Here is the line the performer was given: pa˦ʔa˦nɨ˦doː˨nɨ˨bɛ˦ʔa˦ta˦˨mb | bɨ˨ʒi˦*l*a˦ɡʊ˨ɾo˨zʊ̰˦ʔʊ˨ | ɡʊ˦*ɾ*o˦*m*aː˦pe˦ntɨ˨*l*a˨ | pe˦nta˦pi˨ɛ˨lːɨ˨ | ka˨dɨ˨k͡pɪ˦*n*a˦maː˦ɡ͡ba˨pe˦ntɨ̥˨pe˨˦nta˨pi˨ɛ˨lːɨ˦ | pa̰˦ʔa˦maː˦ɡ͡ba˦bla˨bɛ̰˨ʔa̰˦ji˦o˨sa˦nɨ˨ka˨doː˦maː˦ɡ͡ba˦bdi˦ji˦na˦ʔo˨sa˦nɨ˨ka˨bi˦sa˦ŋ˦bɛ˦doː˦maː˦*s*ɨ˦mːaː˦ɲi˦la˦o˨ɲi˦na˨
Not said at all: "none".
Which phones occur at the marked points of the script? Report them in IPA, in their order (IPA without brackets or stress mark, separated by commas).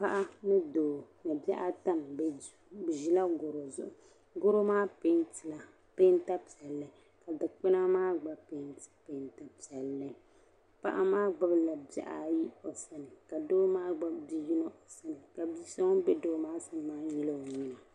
l, ɾ, m, l, n, s